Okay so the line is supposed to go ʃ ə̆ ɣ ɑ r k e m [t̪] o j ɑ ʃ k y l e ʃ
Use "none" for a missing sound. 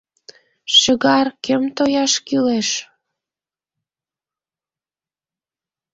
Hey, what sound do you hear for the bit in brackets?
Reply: t̪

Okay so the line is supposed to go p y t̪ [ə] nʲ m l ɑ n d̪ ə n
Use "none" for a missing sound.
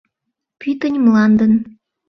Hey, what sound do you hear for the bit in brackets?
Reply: ə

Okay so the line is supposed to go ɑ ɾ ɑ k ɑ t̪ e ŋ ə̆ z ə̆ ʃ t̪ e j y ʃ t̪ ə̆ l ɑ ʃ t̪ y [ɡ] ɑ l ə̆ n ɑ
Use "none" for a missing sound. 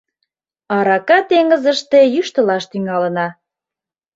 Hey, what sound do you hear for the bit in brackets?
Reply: ŋ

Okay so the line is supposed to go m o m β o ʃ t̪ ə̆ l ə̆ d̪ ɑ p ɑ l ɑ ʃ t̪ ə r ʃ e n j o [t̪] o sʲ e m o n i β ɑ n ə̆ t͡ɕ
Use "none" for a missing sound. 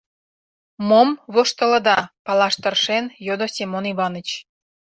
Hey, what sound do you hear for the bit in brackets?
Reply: d̪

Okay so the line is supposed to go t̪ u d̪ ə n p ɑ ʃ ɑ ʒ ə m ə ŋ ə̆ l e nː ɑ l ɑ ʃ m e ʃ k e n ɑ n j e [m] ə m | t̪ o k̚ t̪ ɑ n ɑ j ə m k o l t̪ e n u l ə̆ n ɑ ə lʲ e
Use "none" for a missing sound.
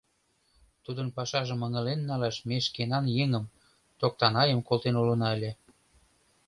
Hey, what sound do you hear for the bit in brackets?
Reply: ŋ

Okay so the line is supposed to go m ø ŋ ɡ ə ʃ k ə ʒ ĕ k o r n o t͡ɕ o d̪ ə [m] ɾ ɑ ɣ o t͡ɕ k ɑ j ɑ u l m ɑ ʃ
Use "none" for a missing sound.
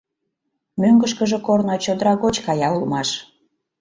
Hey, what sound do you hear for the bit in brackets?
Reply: none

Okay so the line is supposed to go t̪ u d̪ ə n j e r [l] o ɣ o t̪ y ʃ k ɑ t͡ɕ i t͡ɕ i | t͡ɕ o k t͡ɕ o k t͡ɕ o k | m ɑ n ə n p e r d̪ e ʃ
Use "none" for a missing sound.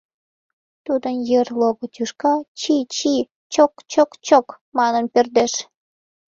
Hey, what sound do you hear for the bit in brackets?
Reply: l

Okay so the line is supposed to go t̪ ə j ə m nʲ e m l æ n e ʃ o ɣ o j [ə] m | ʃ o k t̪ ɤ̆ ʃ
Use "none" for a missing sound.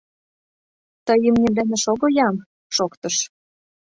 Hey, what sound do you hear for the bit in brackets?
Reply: ɑ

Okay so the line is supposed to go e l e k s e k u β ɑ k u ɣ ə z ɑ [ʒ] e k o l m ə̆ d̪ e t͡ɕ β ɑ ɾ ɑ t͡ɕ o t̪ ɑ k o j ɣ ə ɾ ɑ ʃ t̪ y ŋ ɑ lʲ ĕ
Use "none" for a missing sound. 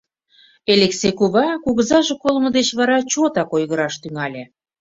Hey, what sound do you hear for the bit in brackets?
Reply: ʒ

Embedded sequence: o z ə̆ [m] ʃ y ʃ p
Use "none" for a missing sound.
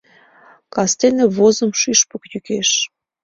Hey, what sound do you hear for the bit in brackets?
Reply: m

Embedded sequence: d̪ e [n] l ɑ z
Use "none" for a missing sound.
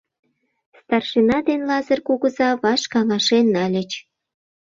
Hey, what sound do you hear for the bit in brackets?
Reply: n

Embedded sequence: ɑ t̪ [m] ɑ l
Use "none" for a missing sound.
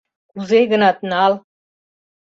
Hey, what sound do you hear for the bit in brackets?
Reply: n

